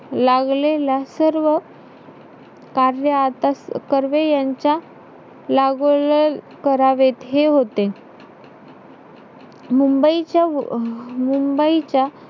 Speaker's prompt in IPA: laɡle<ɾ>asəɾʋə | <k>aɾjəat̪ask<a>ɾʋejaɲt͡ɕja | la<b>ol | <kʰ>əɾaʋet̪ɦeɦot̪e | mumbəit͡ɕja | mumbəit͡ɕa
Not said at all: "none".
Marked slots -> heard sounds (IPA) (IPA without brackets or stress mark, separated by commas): l, k, ə, ɡ, k